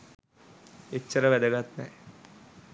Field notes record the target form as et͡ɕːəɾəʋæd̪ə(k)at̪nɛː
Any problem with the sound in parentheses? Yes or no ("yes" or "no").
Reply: yes